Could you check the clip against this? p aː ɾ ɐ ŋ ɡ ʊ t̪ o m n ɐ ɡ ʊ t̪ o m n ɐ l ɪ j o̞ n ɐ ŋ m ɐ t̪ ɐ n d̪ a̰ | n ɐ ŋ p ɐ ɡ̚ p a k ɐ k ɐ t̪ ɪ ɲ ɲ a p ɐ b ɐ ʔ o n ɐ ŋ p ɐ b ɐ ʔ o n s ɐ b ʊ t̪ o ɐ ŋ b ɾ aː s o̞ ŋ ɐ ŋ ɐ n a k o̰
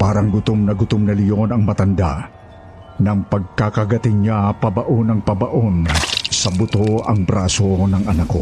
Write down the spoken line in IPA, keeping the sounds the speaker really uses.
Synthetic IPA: p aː ɾ ɐ ŋ ɡ ʊ t̪ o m n ɐ ɡ ʊ t̪ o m n ɐ l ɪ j o̞ n ɐ ŋ m ɐ t̪ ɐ n d̪ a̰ | n ɐ ŋ p ɐ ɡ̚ k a k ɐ ɡ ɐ t̪ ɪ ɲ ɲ a p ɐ b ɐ ʔ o n ɐ ŋ p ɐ b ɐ ʔ o n s ɐ b ʊ t̪ o ɐ ŋ b ɾ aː s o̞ n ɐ ŋ ɐ n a k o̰